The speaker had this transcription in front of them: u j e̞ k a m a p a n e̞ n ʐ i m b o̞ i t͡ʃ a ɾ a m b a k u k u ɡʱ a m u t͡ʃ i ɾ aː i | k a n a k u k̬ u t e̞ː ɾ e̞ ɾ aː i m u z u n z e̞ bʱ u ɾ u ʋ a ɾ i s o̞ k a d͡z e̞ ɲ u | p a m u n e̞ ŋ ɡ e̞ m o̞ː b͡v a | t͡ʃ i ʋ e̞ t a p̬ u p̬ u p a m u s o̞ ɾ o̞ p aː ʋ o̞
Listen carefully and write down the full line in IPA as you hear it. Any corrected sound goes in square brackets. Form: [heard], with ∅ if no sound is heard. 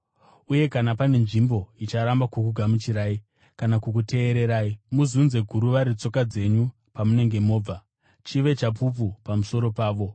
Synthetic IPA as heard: u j e̞ k a [n] a p a n e̞ n ʐ i m b o̞ i t͡ʃ a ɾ a m b a k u k u ɡʱ a m u t͡ʃ i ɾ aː i | k a n a k u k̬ u t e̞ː ɾ e̞ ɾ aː i m u z u n z e̞ [ɡʱ] u ɾ u ʋ a ɾ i [t͡s] o̞ k a d͡z e̞ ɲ u | p a m u n e̞ ŋ ɡ e̞ m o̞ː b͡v a | t͡ʃ i ʋ e̞ [t͡ʃ] a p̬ u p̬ u p a m u s o̞ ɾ o̞ p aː ʋ o̞

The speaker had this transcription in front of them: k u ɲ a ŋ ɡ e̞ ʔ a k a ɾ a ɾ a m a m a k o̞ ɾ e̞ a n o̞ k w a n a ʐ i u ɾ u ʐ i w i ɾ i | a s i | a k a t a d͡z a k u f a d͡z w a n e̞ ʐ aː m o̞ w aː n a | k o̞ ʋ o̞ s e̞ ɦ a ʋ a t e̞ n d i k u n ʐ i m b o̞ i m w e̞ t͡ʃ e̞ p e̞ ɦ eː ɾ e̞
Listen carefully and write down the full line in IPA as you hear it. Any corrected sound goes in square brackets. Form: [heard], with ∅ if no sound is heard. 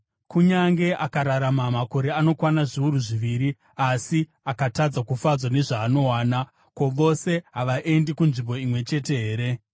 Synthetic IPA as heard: k u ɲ a ŋ ɡ e̞ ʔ a k a ɾ a ɾ a m a m a k o̞ ɾ e̞ a n o̞ k w a n a ʐ i u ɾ u ʐ i [ʋ] i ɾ i | a s i | a k a t a d͡z a k u f a d͡z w a n e̞ ʐ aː [n] o̞ w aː n a | k o̞ ʋ o̞ s e̞ ɦ a ʋ a [ʔ] e̞ n d i k u n ʐ i m b o̞ i m w e̞ t͡ʃ e̞ [t] e̞ ɦ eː ɾ e̞

